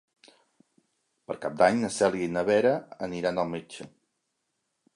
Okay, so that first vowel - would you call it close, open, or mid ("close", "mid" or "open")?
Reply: mid